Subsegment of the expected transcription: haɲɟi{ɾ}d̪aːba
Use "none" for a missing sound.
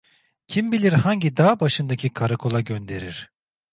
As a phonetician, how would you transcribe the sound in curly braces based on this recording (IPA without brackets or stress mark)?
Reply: none